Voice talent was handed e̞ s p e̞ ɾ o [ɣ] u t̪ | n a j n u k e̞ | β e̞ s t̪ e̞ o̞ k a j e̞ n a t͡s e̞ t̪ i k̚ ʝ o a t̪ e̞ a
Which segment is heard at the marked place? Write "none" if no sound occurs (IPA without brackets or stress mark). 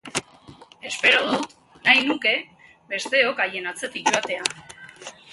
ð